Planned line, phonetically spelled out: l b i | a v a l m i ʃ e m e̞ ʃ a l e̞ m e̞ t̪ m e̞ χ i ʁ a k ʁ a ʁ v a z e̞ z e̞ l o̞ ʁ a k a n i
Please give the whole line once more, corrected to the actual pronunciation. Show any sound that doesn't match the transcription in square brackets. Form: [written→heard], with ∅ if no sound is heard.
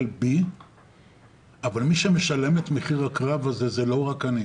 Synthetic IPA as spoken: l b i | a v a l m i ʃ e m e̞ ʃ a l e̞ m e̞ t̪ m e̞ χ i ʁ a k ʁ a [ʁ→∅] v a z e̞ z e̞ l o̞ ʁ a k a n i